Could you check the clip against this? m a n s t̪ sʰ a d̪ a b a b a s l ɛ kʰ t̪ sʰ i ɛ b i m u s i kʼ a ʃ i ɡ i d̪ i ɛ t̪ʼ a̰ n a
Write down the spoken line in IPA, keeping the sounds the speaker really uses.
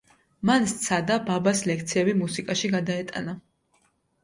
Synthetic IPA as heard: m a n s t̪ sʰ a d̪ a b a b a s l ɛ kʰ t̪ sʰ i ɛ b i m u s i kʼ a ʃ i ɡ a d̪ a ɛ t̪ʼ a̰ n a